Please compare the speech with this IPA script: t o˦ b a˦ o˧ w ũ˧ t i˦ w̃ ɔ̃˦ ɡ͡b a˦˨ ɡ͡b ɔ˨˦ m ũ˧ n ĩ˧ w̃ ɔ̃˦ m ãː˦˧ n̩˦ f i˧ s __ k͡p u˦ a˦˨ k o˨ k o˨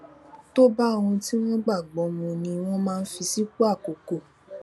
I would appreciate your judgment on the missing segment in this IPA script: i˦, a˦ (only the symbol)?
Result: i˦